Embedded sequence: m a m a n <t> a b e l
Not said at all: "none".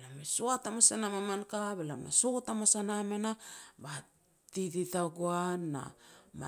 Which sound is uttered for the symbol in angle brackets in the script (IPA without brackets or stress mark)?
k